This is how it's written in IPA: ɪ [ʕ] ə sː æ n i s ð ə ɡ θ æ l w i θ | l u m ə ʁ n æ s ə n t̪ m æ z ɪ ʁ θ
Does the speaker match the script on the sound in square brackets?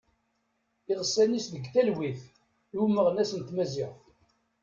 no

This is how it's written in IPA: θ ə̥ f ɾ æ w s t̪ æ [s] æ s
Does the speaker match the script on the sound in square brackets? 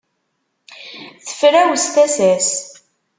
yes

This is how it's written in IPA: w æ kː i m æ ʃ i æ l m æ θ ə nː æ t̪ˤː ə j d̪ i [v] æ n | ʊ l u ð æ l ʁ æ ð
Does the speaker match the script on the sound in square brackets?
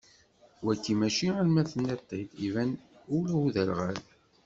yes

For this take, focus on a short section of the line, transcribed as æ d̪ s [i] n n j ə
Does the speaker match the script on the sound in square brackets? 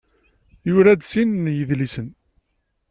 yes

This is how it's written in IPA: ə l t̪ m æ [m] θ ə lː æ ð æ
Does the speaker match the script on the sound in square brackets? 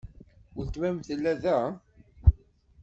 yes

